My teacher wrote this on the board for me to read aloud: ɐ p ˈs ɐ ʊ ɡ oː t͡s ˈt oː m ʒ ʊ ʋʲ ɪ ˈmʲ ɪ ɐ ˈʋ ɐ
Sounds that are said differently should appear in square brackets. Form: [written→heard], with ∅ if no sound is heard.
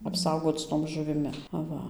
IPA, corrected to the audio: ɐ p ˈs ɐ ʊ ɡ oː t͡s ˈt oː m ʒ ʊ ʋʲ ɪ ˈmʲ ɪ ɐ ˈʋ ɐ